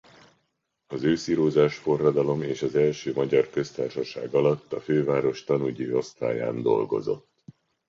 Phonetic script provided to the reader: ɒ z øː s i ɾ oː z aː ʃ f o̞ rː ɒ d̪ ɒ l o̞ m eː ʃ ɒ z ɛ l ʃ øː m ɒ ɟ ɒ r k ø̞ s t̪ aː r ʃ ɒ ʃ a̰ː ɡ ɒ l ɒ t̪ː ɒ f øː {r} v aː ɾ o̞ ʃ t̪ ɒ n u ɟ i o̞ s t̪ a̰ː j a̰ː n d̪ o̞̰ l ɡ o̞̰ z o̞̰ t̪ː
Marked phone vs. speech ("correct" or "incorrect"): incorrect